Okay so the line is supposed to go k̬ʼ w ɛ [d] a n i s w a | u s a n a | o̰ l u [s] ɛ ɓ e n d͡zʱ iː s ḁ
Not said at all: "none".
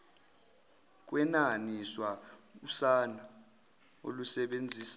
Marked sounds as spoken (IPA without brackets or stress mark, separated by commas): n, s